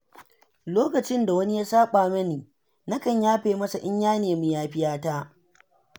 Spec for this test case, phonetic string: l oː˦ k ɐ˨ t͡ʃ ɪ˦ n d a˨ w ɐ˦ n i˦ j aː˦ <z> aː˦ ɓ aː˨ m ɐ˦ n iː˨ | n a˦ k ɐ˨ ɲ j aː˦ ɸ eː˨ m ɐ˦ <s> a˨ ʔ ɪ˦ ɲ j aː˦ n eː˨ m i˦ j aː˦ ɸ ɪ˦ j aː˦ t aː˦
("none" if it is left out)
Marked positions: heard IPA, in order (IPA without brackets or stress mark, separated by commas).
s, s